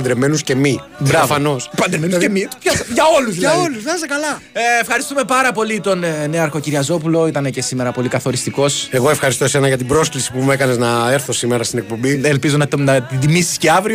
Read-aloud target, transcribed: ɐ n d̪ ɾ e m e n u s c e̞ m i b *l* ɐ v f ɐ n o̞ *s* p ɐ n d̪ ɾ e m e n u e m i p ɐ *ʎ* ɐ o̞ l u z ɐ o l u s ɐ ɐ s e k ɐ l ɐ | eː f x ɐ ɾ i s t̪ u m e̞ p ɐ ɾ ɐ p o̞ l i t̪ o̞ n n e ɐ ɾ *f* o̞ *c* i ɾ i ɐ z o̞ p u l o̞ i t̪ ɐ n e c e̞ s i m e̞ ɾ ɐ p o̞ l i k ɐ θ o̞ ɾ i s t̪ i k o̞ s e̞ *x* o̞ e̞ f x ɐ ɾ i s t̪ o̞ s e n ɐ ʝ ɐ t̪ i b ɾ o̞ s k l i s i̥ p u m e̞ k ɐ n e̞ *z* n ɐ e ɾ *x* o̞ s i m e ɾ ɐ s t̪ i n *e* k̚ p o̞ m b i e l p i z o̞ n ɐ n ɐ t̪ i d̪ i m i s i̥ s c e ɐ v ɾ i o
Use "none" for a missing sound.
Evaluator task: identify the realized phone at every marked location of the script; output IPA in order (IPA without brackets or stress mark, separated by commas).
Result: ɾ, s, ʝ, x, c, ɣ, z, θ, e